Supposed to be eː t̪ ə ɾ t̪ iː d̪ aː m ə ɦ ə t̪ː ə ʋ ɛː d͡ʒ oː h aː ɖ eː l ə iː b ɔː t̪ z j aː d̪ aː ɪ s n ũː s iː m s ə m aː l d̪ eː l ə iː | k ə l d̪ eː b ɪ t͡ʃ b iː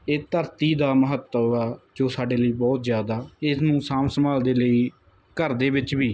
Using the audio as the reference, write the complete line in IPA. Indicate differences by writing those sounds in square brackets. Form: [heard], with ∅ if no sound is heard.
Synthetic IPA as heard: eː t̪ ə ɾ t̪ iː d̪ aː m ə ɦ ə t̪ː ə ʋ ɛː d͡ʒ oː [s] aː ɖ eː l ə iː b ɔː t̪ z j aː d̪ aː ɪ s n ũː s [aː] m s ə m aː l d̪ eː l ə iː | k ə [ɾ] d̪ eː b ɪ t͡ʃ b iː